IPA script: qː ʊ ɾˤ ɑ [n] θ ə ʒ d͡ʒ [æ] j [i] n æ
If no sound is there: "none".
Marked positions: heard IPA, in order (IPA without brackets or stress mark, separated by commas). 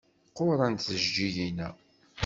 n, i, i